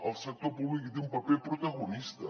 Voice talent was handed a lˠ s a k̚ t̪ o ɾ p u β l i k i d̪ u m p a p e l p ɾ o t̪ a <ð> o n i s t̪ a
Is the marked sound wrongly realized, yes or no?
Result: yes